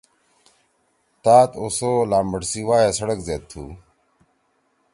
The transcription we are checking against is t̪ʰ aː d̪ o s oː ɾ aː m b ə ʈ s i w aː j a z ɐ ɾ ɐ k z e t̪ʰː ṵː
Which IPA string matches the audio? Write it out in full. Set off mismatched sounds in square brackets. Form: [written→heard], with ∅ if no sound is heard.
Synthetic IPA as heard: [t̪ʰ→t̪] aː [d̪→t̪] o s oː [ɾ→l] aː m b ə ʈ s i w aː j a [z→s] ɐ [ɾ→ɽ] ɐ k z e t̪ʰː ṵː